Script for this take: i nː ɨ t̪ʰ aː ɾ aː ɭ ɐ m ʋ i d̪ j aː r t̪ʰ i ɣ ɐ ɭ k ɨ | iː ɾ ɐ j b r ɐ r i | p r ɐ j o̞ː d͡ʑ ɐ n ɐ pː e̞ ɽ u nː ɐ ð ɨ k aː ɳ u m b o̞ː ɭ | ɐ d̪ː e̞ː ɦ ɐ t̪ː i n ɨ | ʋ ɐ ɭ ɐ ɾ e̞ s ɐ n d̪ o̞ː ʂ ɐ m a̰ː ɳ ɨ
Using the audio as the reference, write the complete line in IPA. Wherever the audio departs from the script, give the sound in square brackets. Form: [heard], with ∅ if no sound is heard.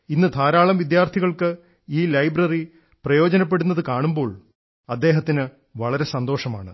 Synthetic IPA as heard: i nː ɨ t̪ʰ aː ɾ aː ɭ ɐ m ʋ i d̪ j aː r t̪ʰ i ɣ ɐ ɭ k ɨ | iː [l] ɐ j b r ɐ r i | p r ɐ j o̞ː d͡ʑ ɐ n ɐ pː e̞ ɽ u nː ɐ ð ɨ k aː ɳ u m b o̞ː ɭ | ɐ d̪ː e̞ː ɦ ɐ t̪ː i n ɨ | ʋ ɐ ɭ ɐ ɾ e̞ s ɐ n d̪ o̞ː ʂ ɐ m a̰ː ɳ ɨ